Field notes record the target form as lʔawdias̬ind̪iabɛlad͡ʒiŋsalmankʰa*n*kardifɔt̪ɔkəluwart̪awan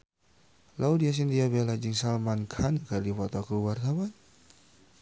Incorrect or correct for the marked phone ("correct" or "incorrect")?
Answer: correct